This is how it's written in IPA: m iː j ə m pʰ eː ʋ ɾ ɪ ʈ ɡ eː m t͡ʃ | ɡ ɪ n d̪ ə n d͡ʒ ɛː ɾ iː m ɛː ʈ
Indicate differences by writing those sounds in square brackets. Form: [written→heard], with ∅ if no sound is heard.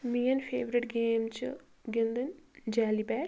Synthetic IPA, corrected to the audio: m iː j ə [m→n] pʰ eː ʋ ɾ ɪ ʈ ɡ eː m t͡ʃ | ɡ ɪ n d̪ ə n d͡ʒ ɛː [ɾ→l] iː [m→b] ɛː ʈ